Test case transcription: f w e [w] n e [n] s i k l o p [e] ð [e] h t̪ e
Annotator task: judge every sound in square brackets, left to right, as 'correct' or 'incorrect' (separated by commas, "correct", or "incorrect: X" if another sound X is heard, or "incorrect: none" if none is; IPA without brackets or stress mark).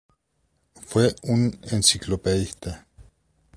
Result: incorrect: u, correct, correct, incorrect: i